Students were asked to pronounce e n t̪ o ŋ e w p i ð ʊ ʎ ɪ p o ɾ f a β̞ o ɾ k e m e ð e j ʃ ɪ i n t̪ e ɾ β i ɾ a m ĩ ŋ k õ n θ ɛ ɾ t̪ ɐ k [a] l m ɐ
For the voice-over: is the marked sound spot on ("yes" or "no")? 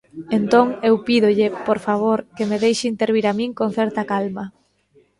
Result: yes